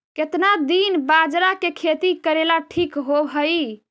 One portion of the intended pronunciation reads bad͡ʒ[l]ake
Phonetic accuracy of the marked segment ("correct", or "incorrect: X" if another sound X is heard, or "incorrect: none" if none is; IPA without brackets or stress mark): incorrect: ɾ